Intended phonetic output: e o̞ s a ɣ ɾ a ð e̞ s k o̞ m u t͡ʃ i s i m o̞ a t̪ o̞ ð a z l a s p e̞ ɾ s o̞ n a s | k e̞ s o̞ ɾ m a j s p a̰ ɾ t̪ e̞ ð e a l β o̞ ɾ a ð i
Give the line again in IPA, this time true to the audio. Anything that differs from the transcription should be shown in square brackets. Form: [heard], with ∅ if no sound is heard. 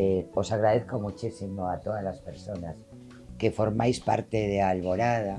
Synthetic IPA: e o̞ s a ɣ ɾ a ð e̞ [θ] k o̞ m u t͡ʃ i s i m o̞ a t̪ o̞ ð a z l a s p e̞ ɾ s o̞ n a s | k e̞ [f] o̞ ɾ m a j s p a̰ ɾ t̪ e̞ ð e a l β o̞ ɾ a ð [a]